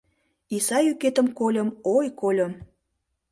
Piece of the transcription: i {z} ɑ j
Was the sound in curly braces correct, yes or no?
no